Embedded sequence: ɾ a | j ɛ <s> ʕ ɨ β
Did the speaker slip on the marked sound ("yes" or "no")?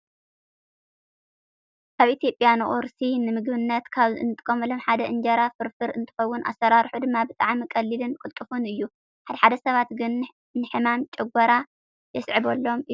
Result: no